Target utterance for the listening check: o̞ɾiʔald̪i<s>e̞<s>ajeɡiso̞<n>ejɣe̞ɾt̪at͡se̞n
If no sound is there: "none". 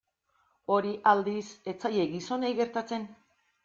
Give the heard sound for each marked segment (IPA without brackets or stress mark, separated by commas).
s, t͡s, n